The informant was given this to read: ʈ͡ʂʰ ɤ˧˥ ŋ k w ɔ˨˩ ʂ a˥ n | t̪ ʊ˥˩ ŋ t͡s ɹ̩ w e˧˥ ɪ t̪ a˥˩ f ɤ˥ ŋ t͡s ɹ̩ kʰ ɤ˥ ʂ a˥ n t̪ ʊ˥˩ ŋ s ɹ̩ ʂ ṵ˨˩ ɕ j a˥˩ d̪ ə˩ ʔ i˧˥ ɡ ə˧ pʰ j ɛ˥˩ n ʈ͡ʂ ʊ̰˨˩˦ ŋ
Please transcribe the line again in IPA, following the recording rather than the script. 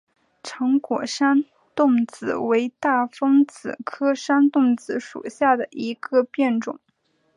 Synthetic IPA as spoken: ʈ͡ʂʰ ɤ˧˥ ŋ k w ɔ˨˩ ʂ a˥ n | t̪ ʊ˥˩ ŋ t͡s ɹ̩ w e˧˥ ɪ t̪ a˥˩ f ɤ˥ ŋ t͡s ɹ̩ kʰ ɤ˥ ʂ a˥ n t̪ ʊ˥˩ ŋ t͡s ɹ̩ ʂ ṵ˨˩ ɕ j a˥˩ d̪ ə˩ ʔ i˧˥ ɡ ə˧ p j ɛ˥˩ n ʈ͡ʂ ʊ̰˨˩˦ ŋ